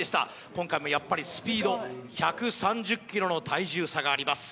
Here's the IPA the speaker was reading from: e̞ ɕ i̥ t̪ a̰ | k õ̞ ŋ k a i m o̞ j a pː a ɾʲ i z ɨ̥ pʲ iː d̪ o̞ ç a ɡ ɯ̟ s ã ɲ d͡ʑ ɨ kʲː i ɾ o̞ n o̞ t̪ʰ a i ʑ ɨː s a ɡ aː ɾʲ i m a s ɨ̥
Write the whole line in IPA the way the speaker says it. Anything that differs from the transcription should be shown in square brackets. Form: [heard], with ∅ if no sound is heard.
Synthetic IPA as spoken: e̞ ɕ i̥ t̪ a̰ | k õ̞ ŋ k a i m o̞ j a pː a ɾʲ i [s] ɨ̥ pʲ iː d̪ o̞ ç a [k] ɯ̟ s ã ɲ d͡ʑ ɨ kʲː i ɾ o̞ n o̞ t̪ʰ a i ʑ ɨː s a ɡ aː ɾʲ i m a s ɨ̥